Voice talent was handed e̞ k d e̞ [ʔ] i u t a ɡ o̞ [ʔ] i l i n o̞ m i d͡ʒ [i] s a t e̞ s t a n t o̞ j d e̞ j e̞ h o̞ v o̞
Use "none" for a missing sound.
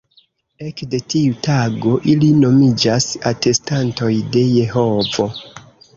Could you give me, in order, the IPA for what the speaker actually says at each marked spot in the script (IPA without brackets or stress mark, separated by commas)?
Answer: t, ʔ, a